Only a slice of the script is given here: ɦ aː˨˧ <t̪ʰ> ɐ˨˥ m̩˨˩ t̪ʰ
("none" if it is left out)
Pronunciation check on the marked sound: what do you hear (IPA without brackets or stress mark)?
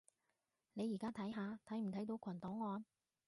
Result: t̪ʰ